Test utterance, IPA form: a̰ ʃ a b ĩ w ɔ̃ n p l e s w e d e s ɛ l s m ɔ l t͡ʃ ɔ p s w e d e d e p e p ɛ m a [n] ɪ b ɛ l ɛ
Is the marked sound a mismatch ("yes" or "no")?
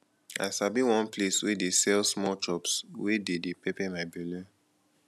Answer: yes